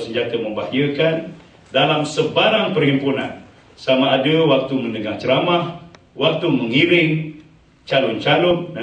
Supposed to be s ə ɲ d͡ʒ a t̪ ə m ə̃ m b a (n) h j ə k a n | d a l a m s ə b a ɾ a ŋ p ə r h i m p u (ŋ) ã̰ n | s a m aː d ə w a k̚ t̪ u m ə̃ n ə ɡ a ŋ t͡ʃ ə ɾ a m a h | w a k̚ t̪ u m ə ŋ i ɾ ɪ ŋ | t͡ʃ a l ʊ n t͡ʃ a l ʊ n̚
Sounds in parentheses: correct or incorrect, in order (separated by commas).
incorrect, incorrect